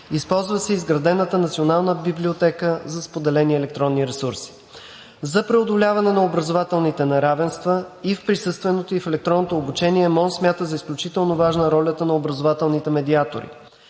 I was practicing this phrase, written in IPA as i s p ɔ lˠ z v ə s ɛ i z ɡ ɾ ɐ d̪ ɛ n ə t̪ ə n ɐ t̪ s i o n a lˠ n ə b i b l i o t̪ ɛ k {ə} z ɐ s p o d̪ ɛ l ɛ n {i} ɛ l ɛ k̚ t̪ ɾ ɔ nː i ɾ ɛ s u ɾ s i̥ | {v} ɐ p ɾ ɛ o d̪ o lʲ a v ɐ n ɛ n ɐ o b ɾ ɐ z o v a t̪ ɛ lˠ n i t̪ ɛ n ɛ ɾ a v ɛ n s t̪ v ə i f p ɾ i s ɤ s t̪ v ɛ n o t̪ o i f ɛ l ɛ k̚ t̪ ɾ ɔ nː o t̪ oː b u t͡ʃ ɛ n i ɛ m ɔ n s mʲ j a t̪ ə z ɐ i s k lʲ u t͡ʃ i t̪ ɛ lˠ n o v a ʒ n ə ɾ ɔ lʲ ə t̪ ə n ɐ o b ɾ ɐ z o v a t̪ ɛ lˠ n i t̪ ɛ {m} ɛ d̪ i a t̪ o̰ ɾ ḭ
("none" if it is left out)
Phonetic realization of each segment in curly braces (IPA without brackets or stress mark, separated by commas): ə, i, z, m